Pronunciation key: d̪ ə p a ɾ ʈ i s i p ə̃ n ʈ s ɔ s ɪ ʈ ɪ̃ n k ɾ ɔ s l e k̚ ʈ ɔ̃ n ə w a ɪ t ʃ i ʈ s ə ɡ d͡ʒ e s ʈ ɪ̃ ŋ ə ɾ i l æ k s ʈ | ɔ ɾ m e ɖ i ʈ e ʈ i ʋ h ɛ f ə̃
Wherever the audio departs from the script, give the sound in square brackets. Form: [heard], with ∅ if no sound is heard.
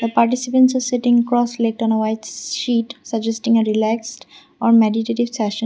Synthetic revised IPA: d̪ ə p a ɾ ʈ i s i p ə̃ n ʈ s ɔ s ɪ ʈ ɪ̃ [ŋ] k ɾ ɔ s l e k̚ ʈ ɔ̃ n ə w a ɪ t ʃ i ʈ s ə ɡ d͡ʒ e s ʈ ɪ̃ ŋ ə ɾ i l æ k s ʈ | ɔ ɾ m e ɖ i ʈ e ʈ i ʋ [s] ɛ [ʃ] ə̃